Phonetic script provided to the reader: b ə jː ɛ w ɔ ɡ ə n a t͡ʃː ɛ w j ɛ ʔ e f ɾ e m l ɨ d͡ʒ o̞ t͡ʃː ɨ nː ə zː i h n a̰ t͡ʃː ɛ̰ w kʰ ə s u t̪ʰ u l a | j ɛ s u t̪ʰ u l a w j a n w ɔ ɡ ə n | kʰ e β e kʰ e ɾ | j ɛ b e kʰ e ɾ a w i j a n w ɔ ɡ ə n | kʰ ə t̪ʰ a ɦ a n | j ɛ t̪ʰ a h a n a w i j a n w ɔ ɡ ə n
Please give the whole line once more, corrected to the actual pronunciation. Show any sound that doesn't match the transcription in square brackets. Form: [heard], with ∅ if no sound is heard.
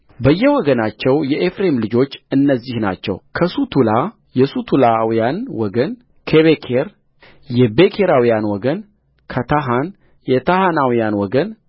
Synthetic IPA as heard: b ə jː ɛ w ɔ ɡ ə n a t͡ʃː ɛ w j ɛ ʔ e f ɾ e m l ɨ d͡ʒ o̞ t͡ʃː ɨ nː ə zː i h n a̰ t͡ʃː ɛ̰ w kʰ ə s u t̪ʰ u l a | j ɛ s u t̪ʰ u l a w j a n w ɔ ɡ ə n | kʰ e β e kʰ e ɾ | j ɛ b e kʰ e ɾ a w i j a n w ɔ ɡ ə n | kʰ ə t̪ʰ a ɦ a n | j ɛ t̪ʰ a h a n a w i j a n w ɔ ɡ ə n